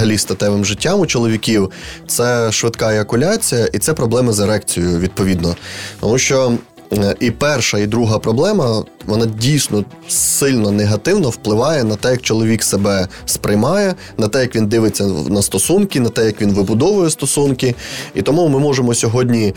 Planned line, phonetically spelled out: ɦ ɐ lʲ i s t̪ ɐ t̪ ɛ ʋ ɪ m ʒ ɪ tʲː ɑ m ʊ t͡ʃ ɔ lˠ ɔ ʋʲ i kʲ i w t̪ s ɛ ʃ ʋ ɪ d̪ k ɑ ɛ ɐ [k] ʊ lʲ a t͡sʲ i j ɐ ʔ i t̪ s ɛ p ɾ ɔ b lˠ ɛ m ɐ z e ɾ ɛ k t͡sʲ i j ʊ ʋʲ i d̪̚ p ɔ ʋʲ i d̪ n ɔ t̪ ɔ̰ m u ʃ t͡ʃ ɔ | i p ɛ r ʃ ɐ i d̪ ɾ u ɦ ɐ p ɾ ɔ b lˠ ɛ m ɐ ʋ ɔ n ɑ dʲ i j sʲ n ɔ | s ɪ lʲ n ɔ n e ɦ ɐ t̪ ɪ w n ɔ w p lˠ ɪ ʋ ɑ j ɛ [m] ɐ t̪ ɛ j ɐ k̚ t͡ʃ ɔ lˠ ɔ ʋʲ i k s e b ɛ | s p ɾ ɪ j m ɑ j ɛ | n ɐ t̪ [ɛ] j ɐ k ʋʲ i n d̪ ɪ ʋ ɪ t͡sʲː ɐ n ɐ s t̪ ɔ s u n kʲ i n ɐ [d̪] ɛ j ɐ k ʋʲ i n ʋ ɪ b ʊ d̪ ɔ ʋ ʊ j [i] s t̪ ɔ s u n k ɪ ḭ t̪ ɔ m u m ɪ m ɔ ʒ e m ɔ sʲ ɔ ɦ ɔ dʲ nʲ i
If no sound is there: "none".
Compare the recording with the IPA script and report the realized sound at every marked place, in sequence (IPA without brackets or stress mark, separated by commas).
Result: k, n, ɛ, t̪, ɛ